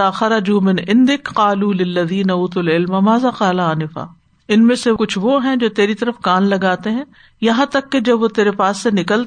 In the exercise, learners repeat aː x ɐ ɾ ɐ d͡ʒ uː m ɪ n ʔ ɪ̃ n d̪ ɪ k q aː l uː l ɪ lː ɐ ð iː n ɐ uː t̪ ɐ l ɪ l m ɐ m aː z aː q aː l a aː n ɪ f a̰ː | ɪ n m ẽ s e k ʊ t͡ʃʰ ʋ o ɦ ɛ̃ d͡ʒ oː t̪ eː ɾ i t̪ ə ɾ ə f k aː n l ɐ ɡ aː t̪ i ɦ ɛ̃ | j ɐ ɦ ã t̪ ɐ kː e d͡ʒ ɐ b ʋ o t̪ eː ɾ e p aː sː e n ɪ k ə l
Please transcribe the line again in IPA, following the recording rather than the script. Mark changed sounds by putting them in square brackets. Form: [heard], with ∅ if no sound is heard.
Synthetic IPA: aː x ɐ ɾ ɐ d͡ʒ uː m ɪ n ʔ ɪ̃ n d̪ ɪ k q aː l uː l ɪ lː ɐ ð iː n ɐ uː t̪ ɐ l ɪ l m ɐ m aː z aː q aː l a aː n ɪ f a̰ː | ɪ n m ẽ s e k ʊ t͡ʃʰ ʋ o ɦ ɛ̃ d͡ʒ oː t̪ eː ɾ i t̪ [ɐ] ɾ ə f k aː n l ɐ ɡ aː t̪ [e] ɦ ɛ̃ | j ɐ ɦ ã t̪ ɐ kː e d͡ʒ ɐ b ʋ o t̪ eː ɾ e p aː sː e n ɪ k ə l